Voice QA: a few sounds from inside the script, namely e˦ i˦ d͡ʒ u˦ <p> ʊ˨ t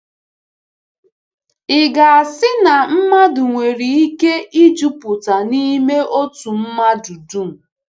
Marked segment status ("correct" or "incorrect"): correct